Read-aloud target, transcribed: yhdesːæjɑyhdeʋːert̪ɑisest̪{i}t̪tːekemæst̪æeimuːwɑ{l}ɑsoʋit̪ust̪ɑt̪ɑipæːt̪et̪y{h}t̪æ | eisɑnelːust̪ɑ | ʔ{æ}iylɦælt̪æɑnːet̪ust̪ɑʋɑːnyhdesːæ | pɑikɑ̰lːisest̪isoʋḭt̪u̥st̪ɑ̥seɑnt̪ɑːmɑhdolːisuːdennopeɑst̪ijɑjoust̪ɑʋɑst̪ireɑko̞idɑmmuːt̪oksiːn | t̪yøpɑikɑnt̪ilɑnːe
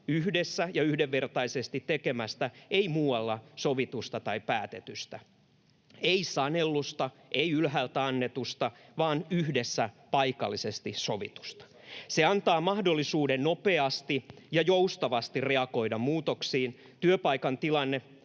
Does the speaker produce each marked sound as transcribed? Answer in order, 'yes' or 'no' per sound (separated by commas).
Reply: yes, no, no, no